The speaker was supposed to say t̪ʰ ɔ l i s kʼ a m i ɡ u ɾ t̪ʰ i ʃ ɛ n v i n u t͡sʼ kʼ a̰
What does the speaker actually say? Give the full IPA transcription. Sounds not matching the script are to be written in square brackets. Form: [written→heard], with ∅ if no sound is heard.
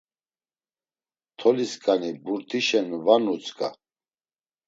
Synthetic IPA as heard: t̪ʰ ɔ l i s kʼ a [m→n] i [ɡ→b] u ɾ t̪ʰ i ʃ ɛ n v [i→a] n u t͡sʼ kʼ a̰